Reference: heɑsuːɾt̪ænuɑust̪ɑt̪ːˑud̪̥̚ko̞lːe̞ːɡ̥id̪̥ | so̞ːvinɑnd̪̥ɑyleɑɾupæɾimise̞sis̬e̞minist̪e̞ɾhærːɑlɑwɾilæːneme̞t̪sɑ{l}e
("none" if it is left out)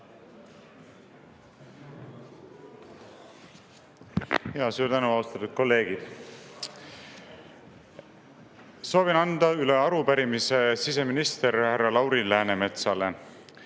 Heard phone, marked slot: l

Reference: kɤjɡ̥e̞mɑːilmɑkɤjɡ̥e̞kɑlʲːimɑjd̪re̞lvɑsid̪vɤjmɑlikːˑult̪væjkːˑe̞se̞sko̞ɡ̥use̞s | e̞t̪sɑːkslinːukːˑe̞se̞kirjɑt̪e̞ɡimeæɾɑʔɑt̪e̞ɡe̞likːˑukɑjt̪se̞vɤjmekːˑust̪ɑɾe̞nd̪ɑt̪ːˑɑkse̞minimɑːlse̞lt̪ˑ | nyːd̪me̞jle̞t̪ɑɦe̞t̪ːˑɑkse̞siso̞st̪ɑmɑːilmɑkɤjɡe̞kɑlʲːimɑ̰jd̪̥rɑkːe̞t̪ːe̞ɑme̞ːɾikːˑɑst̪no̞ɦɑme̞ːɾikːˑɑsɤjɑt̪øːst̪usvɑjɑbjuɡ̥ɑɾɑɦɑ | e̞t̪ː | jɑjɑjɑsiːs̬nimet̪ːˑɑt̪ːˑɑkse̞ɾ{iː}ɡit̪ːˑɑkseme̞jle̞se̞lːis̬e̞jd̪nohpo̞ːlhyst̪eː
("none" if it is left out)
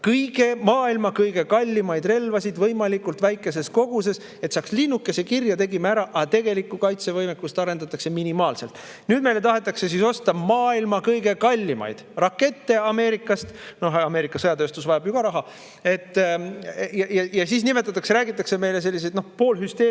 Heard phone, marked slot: æː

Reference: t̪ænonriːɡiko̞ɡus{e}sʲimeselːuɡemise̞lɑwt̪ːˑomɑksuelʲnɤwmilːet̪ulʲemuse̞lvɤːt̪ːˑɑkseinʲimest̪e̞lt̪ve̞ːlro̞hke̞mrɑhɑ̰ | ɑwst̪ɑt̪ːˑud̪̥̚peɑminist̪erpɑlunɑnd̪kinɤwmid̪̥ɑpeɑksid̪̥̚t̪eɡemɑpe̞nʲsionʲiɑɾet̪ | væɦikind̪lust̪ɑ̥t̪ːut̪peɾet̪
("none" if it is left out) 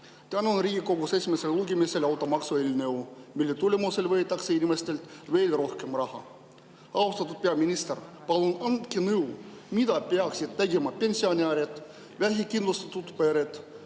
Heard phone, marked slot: e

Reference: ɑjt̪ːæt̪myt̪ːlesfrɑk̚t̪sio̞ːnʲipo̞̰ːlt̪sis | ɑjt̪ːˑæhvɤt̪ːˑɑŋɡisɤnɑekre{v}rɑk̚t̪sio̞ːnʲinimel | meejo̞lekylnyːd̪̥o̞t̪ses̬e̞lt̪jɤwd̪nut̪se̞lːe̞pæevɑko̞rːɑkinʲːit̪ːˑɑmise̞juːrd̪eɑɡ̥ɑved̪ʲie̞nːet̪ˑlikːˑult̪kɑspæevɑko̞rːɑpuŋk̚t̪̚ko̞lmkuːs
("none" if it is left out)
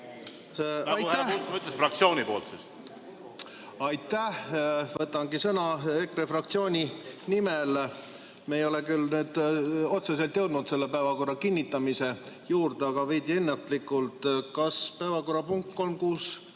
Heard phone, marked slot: f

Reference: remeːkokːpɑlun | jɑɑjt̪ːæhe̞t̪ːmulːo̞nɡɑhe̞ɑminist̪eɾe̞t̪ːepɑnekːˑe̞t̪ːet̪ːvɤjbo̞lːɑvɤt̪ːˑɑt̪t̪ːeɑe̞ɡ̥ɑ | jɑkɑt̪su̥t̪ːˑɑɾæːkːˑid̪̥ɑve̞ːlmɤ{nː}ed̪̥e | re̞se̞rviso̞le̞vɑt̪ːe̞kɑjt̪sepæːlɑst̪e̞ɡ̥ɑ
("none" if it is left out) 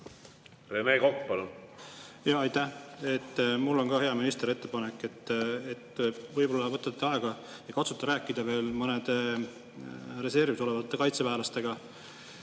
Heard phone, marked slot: n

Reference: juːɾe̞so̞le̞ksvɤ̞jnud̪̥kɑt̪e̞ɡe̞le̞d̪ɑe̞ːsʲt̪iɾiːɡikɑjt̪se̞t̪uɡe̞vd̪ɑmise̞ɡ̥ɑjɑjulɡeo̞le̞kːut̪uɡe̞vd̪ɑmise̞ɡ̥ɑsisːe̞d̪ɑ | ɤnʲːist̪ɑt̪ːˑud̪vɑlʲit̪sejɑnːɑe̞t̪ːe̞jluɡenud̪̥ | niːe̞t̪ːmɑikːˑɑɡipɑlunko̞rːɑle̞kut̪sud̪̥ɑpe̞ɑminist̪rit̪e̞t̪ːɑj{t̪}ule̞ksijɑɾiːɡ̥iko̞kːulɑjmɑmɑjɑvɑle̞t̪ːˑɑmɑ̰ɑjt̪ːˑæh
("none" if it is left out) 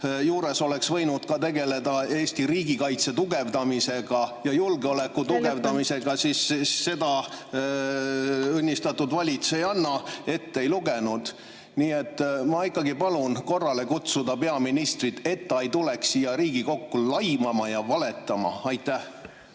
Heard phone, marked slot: t̪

